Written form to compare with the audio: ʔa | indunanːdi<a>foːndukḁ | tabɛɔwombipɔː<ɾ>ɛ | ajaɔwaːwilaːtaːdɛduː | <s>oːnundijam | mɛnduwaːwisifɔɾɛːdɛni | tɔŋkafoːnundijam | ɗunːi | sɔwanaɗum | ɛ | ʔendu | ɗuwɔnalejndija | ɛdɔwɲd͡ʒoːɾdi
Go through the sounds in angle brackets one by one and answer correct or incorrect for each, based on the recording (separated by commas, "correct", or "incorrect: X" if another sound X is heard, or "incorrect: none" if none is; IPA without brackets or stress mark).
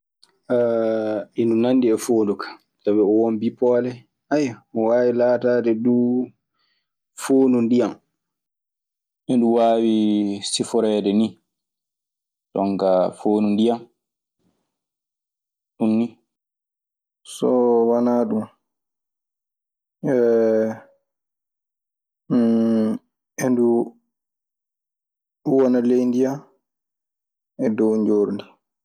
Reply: incorrect: ɛ, incorrect: l, incorrect: f